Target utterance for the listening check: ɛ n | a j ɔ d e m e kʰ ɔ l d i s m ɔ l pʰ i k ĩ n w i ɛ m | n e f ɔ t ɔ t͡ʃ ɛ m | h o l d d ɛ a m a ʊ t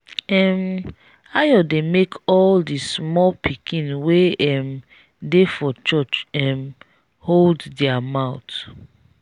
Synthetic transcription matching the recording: ɛ m | a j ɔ d e m e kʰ ɔ l d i s m ɔ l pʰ i k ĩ n w e ɛ m | d e f ɔ t͡ʃ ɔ t͡ʃ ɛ m | h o l d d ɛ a m a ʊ t